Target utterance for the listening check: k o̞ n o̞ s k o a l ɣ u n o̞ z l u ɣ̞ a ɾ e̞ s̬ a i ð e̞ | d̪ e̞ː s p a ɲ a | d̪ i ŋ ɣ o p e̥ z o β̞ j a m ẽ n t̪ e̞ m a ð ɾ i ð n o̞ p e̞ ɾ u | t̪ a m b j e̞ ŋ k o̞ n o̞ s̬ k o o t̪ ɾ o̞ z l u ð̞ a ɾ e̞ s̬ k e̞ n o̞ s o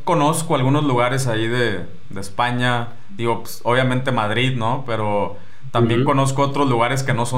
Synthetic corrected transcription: k o̞ n o̞ s k o a l ɣ u n o̞ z l u ɣ̞ a ɾ e̞ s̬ a i ð e̞ | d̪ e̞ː s p a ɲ a | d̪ i ɣ o p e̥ s o β̞ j a m ẽ n t̪ e̞ m a ð ɾ i ð n o̞ p e̞ ɾ o | t̪ a m b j e̞ ŋ k o̞ n o̞ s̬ k o o t̪ ɾ o̞ z l u ɣ̞ a ɾ e̞ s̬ k e̞ n o̞ s o